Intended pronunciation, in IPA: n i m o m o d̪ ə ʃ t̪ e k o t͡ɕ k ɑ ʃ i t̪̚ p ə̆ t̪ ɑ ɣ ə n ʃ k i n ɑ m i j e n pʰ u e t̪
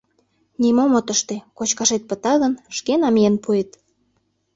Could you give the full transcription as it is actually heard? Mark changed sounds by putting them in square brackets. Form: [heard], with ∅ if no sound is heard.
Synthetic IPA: n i m o m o [t̪] ə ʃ t̪ e k o t͡ɕ k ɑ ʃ [e] t̪̚ p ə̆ t̪ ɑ ɣ ə n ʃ k [e] n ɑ m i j e n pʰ u e t̪